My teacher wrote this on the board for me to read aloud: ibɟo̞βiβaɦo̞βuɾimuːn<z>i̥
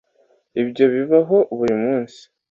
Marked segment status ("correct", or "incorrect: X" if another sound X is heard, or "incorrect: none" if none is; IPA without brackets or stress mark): incorrect: s